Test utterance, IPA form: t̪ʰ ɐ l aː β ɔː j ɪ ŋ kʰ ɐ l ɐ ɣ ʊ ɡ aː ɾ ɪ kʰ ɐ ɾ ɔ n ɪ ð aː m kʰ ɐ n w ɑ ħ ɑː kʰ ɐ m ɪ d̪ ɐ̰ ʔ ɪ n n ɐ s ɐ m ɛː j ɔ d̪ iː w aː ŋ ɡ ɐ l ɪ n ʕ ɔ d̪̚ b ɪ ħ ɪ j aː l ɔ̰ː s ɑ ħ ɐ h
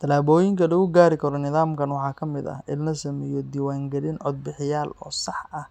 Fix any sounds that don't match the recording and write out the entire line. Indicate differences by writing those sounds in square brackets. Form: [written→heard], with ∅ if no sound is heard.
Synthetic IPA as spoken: t̪ʰ ɐ l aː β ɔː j ɪ ŋ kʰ ɐ l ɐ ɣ ʊ ɡ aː ɾ ɪ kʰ ɐ ɾ ɔ n ɪ ð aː m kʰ ɐ n w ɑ ħ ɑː kʰ ɐ m ɪ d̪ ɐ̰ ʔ ɪ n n ɐ s ɐ m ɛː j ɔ d̪ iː w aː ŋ ɡ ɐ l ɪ n ʕ ɔ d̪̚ b ɪ ħ ɪ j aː l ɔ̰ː s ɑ ħ ɐ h